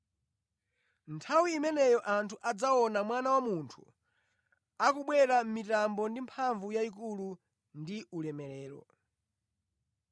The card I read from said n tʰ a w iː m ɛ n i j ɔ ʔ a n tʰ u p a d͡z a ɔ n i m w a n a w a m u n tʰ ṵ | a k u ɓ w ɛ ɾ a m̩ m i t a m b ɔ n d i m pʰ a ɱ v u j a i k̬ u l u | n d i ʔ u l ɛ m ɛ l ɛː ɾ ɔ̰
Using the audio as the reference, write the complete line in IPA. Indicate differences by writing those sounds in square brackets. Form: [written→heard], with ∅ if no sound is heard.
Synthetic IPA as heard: n tʰ a w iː m ɛ n [i→ɛ] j ɔ ʔ a n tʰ u [p→ʔ] a d͡z a ɔ n [i→a] m w a n a w a m u n tʰ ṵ | a k u ɓ w ɛ ɾ a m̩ m i t a m b ɔ n d i m pʰ a ɱ v u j a i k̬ u l u | n d i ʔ u l ɛ m ɛ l ɛː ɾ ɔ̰